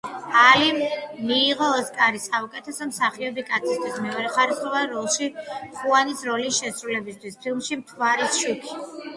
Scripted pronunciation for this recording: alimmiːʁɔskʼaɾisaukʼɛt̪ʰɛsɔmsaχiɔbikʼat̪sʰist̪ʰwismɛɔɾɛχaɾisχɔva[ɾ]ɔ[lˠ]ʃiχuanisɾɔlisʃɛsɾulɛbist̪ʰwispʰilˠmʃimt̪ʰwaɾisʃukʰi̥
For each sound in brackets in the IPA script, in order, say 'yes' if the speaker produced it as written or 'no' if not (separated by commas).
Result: yes, yes